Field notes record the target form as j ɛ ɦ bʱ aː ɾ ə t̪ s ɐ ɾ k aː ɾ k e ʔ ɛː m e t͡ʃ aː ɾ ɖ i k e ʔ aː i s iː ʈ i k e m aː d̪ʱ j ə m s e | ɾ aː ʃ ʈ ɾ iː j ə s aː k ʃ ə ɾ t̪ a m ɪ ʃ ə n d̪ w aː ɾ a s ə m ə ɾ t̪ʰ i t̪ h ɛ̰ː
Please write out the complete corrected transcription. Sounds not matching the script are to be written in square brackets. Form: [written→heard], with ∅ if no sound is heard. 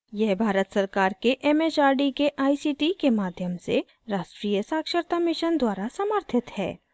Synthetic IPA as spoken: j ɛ ɦ bʱ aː ɾ ə t̪ s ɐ ɾ k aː ɾ k e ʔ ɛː m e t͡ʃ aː ɾ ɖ i k e ʔ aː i s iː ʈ i k e m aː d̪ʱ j ə m s e | ɾ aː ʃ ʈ ɾ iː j ə s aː k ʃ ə ɾ t̪ a m ɪ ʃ ə n d̪ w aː ɾ a s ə m ə ɾ t̪ʰ [i→ɪ] t̪ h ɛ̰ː